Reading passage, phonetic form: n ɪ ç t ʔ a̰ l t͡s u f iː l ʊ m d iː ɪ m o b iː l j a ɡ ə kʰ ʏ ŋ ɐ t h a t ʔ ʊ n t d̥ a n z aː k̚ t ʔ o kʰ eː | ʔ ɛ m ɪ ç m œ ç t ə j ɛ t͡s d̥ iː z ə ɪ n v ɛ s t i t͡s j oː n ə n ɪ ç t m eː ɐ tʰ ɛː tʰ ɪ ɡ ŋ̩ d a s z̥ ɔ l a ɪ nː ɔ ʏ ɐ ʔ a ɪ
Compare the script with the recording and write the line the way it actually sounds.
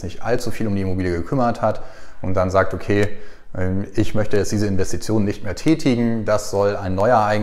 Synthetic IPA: n ɪ ç t ʔ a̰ l t͡s u f iː l ʊ m d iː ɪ m o b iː l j ə ɡ ə kʰ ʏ m ɐ t h a t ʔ ʊ n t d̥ a n z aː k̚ t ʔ o kʰ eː | ʔ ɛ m ɪ ç m œ ç t ə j ɛ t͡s d̥ iː z ə ɪ n v ɛ s t i t͡s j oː n ə n ɪ ç t m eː ɐ tʰ ɛː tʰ ɪ ɡ ŋ̩ d a s z̥ ɔ l a ɪ nː ɔ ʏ ɐ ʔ a ɪ